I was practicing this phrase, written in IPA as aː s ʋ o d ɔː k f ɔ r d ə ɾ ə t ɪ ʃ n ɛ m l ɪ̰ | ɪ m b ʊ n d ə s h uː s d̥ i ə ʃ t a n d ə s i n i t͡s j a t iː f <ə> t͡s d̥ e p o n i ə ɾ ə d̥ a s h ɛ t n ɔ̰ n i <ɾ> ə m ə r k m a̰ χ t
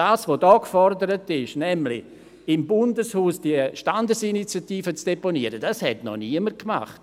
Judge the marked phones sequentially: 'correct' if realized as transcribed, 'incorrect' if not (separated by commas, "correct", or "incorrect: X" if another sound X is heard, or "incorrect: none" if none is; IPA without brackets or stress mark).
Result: correct, incorrect: none